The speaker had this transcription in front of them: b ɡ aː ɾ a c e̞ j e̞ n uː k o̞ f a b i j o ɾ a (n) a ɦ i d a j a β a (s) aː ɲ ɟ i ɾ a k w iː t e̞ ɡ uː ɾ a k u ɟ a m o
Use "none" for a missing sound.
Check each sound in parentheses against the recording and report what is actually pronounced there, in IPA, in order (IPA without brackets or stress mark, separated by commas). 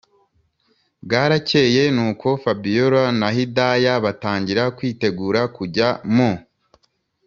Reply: n, t